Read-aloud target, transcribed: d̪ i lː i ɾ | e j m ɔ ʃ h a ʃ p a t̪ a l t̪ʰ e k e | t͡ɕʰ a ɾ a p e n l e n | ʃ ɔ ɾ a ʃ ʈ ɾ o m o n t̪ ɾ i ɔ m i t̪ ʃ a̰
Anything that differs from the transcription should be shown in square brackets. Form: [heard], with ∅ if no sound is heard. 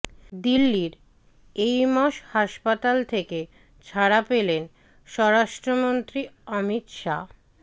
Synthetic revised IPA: d̪ i lː i ɾ | e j m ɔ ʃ h a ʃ p a t̪ a l t̪ʰ e k e | t͡ɕʰ a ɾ a p e [∅] l e n | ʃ ɔ ɾ a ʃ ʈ ɾ o m o n t̪ ɾ i ɔ m i t̪ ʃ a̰

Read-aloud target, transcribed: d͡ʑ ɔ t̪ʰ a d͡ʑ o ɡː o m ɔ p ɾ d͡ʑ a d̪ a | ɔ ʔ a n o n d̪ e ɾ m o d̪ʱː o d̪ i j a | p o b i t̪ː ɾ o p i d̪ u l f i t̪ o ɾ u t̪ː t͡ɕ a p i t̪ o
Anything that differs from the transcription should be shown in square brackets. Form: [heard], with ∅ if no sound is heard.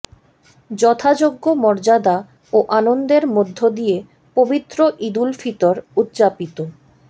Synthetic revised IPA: d͡ʑ ɔ t̪ʰ a d͡ʑ o ɡː o m ɔ [∅] ɾ d͡ʑ a d̪ a | [o] ʔ a n o n d̪ e ɾ m o d̪ʱː o d̪ i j [e] | p o b i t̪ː ɾ o [ʔ] i d̪ u l f i t̪ o ɾ u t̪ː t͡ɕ a p i t̪ o

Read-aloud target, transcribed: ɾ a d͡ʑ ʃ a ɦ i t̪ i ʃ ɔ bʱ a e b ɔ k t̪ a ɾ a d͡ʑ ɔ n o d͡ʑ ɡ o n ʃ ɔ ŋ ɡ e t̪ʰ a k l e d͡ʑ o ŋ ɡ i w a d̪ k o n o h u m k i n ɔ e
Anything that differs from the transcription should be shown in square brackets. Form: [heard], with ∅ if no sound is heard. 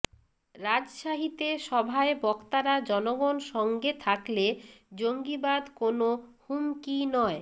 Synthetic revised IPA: ɾ a d͡ʑ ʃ a ɦ i t̪ [e] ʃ ɔ bʱ a e b ɔ k t̪ a ɾ a d͡ʑ ɔ n o [∅] ɡ o n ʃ ɔ ŋ ɡ e t̪ʰ a k l e d͡ʑ o ŋ ɡ i [b] a d̪ k o n o h u m k i n ɔ e

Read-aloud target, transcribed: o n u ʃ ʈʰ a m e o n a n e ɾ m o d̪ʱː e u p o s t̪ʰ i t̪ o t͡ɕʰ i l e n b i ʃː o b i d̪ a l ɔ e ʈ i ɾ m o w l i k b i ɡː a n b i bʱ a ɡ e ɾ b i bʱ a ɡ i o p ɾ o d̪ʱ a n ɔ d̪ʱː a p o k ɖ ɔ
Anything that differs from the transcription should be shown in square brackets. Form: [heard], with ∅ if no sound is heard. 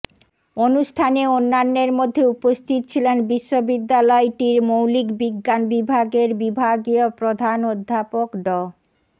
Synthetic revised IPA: o n u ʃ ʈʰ a [n] e o [nː] a [nː] e ɾ m o d̪ʱː e u p o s t̪ʰ i t̪ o t͡ɕʰ i l e n b i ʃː o b i [d̪ː] a l ɔ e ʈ i ɾ m o w l i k b i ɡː a n b i bʱ a ɡ e ɾ b i bʱ a ɡ i o p ɾ o d̪ʱ a n [o] d̪ʱː a p o k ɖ ɔ

